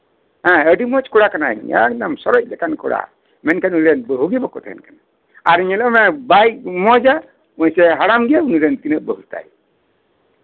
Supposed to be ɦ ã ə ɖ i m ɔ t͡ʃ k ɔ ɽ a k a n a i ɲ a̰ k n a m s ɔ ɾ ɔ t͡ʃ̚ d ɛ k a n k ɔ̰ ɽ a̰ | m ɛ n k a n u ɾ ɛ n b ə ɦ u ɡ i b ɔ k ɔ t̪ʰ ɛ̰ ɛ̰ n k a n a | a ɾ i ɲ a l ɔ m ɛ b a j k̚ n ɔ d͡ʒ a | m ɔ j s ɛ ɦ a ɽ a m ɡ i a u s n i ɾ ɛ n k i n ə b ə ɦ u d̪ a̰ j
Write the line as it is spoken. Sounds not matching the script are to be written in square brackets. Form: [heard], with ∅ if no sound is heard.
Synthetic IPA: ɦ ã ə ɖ i m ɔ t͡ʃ k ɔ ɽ a k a n a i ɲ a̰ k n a m s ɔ ɾ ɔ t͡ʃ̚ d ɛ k a n k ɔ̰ ɽ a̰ | m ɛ n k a n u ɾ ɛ n b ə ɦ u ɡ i b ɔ k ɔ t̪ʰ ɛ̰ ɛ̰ n k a n a | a ɾ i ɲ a l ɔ m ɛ b a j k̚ [m] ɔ d͡ʒ a | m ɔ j s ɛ ɦ a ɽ a m ɡ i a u [∅] n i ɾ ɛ n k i n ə b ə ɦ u [t̪] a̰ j